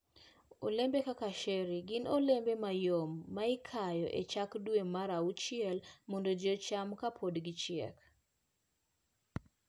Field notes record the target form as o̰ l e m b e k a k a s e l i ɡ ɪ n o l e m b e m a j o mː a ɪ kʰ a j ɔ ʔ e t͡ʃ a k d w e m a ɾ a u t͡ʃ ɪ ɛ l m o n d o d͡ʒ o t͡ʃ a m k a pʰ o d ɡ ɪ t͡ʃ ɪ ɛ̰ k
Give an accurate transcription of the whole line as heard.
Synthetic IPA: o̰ l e m b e k a k a ʃ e ɾ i ɡ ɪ n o l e m b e m a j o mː a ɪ kʰ a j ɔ ʔ e t͡ʃ a k d w e m a ɾ a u t͡ʃ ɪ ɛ l m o n d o d͡ʒ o t͡ʃ a m k a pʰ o d ɡ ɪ t͡ʃ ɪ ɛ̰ k